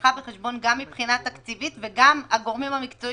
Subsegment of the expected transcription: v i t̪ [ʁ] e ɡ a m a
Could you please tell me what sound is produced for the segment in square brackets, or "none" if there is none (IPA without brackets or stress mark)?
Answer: v